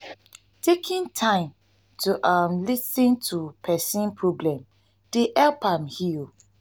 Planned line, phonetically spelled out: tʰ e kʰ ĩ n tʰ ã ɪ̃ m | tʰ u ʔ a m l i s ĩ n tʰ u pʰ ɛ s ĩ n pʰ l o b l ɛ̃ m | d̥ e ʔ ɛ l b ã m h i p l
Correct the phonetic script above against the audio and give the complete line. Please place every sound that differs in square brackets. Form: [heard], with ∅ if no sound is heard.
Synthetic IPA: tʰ e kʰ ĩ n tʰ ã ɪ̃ m | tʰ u ʔ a m l i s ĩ n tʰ u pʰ ɛ s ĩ n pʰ [ɹ] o b l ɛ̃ m | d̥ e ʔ ɛ l [p] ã m h i [∅] l